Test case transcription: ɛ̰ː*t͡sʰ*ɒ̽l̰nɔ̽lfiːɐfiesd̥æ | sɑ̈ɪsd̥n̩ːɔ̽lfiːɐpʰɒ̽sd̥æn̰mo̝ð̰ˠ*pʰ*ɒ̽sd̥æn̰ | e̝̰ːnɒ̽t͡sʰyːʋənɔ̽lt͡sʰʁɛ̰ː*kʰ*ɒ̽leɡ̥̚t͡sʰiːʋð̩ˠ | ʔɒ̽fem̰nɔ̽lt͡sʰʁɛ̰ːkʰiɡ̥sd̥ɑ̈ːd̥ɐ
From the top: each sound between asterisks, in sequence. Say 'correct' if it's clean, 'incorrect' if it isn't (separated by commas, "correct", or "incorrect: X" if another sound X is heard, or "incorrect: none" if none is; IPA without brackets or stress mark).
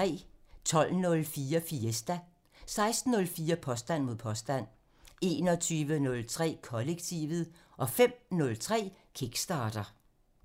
correct, correct, correct